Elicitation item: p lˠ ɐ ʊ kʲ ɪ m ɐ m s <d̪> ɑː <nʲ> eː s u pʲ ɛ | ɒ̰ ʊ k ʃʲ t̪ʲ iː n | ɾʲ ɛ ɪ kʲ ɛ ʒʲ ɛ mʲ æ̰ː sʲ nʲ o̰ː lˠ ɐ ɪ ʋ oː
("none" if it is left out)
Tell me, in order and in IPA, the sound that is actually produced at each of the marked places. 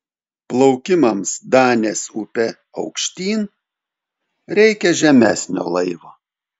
d̪, nʲ

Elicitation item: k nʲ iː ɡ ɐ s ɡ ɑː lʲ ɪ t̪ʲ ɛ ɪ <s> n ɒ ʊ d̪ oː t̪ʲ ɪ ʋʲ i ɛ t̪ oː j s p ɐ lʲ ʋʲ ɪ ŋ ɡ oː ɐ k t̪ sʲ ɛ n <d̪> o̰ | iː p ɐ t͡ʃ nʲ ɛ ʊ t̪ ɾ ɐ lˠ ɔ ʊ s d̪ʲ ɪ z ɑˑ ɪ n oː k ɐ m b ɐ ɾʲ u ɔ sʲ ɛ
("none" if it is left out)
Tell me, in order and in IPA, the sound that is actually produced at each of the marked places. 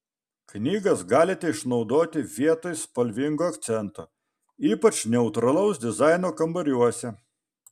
ʃ, t̪

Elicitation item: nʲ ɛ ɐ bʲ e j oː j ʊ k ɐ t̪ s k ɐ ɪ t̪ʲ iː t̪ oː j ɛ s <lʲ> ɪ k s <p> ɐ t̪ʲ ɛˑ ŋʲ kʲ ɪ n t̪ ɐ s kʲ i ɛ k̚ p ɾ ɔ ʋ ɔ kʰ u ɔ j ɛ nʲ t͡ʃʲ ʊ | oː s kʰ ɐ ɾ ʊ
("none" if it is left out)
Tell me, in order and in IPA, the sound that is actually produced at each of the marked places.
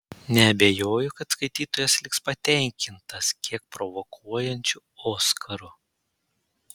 lʲ, p

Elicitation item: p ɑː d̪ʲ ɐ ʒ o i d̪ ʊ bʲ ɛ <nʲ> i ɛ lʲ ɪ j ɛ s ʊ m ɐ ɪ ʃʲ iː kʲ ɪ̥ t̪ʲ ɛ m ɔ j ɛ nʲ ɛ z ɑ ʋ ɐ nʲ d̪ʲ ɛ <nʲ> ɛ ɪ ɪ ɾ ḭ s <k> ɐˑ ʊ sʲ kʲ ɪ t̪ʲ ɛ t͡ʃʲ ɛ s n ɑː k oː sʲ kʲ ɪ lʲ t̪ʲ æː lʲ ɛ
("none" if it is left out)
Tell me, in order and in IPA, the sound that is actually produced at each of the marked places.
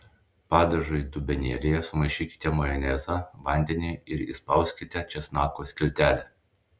nʲ, nʲ, p

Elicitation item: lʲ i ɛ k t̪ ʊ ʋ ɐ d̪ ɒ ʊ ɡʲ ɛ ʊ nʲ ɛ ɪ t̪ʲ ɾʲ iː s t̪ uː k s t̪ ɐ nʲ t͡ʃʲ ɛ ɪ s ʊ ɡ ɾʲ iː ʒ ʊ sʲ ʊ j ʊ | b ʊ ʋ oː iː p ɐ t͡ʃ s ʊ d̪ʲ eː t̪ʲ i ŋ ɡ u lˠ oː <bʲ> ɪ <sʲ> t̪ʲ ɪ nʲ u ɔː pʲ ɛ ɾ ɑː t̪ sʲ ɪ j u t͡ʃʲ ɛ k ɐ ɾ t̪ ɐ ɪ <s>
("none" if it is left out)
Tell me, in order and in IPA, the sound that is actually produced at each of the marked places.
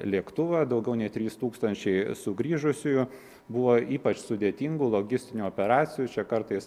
ɡʲ, sʲ, s

